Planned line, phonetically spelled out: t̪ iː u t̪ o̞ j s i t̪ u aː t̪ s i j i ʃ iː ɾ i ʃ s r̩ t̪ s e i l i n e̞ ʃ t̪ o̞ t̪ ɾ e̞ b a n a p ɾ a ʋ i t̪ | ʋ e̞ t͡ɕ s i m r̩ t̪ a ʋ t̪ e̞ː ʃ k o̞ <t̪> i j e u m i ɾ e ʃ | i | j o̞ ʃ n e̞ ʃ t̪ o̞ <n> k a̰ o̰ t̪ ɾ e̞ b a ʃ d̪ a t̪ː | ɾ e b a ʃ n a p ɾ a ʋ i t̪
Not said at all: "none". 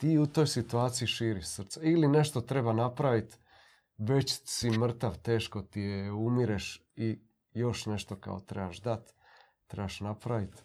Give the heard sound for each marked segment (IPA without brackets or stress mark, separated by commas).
t̪, none